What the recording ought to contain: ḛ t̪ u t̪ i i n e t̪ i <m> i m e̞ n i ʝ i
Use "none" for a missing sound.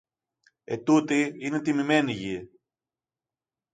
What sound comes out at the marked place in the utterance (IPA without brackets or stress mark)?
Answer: m